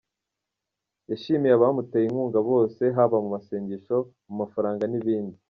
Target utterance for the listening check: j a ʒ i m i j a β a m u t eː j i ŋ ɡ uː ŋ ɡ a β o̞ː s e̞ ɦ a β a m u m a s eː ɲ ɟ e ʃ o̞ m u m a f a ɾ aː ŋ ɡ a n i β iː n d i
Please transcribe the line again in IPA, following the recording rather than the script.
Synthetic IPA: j a ʃ i m i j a β a m u t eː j i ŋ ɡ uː ŋ ɡ a β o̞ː s e̞ ɦ a β a m u m a s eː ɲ ɟ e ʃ o̞ m u m a f a ɾ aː ŋ ɡ a n i β iː n d i